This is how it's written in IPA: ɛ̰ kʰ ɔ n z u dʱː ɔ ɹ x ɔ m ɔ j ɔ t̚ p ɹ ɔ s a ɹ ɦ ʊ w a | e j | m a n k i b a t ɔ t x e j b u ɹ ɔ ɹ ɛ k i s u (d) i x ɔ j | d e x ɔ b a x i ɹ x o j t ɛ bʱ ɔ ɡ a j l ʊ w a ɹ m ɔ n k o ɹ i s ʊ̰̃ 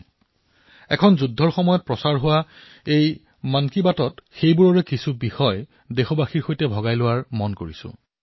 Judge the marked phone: incorrect: b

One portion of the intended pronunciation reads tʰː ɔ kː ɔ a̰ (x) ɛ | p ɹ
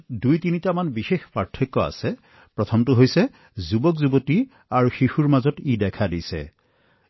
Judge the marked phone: incorrect: s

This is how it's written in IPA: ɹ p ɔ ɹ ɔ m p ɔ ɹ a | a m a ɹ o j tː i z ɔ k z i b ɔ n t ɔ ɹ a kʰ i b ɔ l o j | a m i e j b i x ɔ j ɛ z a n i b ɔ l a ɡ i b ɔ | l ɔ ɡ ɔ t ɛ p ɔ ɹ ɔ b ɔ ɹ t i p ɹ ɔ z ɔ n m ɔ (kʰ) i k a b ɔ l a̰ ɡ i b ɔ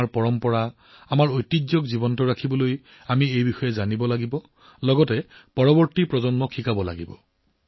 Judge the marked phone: correct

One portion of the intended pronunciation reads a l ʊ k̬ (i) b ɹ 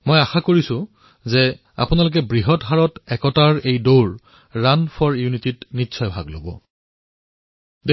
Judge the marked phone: incorrect: ɛ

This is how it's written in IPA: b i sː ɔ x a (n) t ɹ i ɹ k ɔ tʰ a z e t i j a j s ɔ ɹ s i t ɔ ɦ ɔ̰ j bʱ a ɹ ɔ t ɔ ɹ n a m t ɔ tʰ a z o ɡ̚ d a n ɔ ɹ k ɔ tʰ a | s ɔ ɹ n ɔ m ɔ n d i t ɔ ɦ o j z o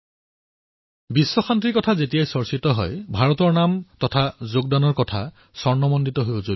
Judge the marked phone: correct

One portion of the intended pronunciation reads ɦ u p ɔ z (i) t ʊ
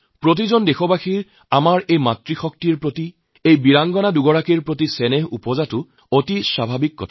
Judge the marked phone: incorrect: a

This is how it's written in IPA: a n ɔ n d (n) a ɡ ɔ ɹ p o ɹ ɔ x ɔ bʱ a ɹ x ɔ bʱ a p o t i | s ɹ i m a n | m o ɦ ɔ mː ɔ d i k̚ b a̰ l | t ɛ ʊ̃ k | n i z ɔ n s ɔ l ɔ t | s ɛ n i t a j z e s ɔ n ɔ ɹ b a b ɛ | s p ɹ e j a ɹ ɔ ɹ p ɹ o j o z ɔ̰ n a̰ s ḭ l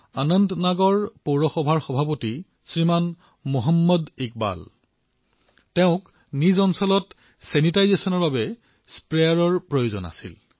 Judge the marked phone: correct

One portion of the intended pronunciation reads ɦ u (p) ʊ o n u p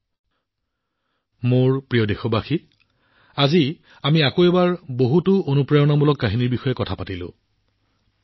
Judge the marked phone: incorrect: t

